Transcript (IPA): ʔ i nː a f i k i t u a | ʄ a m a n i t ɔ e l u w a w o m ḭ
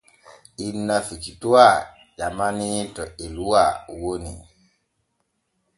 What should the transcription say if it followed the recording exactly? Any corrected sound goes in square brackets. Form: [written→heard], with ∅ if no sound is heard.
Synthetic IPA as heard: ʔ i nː a f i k i t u a | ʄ a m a n i t ɔ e l u w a w o [m→n] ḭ